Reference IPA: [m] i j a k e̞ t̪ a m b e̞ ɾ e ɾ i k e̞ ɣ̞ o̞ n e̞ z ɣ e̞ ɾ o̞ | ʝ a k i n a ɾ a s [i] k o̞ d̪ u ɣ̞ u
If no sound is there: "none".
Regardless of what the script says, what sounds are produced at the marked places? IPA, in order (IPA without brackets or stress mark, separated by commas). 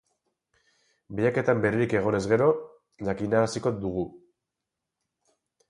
b, i